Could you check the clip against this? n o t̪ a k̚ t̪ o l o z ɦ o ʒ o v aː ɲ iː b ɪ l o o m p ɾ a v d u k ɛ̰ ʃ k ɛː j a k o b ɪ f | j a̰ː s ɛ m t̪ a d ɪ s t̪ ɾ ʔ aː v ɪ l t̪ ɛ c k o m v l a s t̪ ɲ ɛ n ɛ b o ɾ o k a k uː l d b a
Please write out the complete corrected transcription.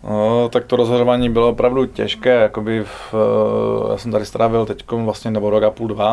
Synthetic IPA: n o t̪ a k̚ t̪ o ɾ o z ɦ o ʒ o v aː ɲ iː b ɪ l o o p ɾ a v d u c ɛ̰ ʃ k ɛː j a k o b ɪ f | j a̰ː s ɛ m t̪ a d ɪ s t̪ ɾ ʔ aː v ɪ l t̪ ɛ c k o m v l a s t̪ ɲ ɛ n ɛ b o ɾ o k a p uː l d v a